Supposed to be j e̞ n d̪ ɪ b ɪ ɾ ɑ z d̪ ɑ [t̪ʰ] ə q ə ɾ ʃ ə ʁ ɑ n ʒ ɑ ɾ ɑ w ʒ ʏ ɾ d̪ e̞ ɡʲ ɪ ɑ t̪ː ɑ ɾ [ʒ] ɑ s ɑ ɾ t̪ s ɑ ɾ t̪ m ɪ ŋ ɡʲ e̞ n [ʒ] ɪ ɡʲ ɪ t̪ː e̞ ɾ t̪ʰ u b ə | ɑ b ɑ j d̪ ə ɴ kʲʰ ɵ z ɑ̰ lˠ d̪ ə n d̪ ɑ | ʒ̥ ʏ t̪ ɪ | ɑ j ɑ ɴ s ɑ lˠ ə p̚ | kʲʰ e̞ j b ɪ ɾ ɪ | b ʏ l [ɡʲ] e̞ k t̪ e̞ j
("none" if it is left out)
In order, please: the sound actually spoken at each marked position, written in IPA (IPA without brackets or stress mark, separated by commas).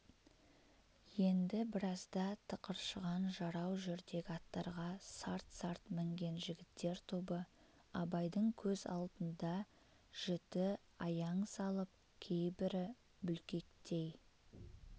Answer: t̪ʰ, ʁ, ʒ, kʲ